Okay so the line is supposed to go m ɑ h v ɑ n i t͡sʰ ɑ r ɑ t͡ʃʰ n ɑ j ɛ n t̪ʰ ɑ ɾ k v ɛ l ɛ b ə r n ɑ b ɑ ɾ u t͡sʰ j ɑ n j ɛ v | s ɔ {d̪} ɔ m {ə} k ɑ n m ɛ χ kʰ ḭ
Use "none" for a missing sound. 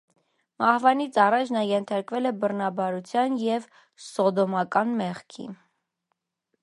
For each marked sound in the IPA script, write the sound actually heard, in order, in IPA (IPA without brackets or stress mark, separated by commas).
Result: d̪, ɑ